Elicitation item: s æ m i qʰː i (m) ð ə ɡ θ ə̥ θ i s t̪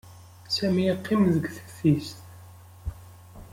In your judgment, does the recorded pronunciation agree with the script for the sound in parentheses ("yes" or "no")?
yes